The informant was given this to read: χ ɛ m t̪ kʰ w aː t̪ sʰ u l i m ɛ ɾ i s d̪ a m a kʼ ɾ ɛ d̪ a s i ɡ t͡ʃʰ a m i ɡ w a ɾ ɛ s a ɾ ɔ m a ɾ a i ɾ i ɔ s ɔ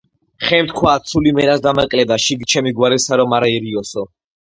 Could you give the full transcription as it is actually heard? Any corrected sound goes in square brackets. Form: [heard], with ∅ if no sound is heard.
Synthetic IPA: χ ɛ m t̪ kʰ w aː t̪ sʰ u l i m ɛ ɾ [a] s d̪ a m a kʼ [l] ɛ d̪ a [ʃ] i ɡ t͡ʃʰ [ɛ] m i ɡ w a ɾ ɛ s a ɾ ɔ m a ɾ a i ɾ i ɔ s ɔ